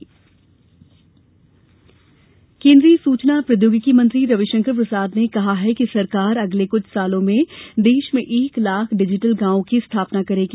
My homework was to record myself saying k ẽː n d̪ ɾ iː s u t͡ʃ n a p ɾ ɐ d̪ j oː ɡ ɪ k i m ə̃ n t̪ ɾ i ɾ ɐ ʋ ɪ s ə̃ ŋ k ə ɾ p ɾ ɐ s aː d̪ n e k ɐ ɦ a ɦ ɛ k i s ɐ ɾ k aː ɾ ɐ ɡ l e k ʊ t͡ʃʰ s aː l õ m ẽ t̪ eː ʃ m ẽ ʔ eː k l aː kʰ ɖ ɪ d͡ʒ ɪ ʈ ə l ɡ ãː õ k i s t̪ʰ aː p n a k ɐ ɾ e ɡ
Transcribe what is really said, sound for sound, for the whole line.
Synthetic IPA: k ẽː n d̪ ɾ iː s uː t͡ʃ n a p ɾ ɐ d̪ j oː ɡ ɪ k i m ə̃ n t̪ ɾ i ɾ ɐ ʋ ɪ ʃ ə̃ ŋ k ə ɾ p ɾ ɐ s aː d̪ n e k ɐ ɦ a ɦ ɛ k i s ɐ ɾ k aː ɾ ɐ ɡ l e k ʊ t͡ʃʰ s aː l õ m ẽ d̪ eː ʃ m ẽ ʔ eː k l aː kʰ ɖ ɪ d͡ʒ ɪ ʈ ə l ɡ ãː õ k i s t̪ʰ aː p n a k ɐ ɾ e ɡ